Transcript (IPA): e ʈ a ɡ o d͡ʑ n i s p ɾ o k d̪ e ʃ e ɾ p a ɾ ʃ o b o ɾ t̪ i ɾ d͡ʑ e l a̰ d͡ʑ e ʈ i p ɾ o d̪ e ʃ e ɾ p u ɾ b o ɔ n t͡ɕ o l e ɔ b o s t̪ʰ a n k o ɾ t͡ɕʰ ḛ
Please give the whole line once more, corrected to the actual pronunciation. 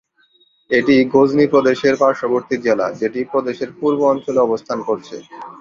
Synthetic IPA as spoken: e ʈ i ɡ o d͡ʑ n i p ɾ o d̪ e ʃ e ɾ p a ɾ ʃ o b o ɾ t̪ i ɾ d͡ʑ e l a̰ d͡ʑ e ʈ i p ɾ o d̪ e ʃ e ɾ p u ɾ b o ɔ n t͡ɕ o l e ɔ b o s t̪ʰ a n k o ɾ t͡ɕʰ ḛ